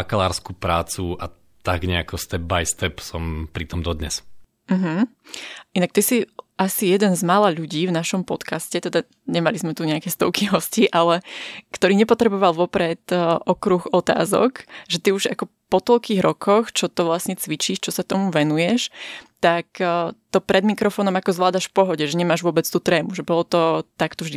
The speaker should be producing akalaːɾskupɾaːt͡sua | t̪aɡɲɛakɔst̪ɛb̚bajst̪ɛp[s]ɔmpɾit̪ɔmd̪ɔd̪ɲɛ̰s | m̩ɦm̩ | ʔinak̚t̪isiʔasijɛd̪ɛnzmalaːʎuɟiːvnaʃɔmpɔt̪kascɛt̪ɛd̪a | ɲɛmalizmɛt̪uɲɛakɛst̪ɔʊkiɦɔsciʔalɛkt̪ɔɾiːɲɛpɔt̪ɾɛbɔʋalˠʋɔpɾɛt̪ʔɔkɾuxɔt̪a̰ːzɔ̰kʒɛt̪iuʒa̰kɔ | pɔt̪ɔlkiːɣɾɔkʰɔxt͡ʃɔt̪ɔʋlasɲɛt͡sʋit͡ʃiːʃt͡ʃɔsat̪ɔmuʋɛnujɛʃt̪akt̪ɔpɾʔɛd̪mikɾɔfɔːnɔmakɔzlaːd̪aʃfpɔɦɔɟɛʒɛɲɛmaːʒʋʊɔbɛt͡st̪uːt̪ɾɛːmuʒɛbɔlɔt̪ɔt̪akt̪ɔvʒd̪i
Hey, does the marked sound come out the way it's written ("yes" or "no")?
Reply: yes